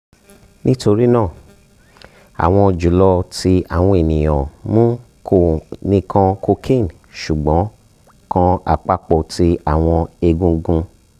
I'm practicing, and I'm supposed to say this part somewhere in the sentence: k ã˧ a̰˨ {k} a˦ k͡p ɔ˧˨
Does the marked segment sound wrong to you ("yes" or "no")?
yes